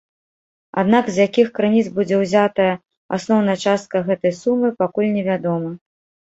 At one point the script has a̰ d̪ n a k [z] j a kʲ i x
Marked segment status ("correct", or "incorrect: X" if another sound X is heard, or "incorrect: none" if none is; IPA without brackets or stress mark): correct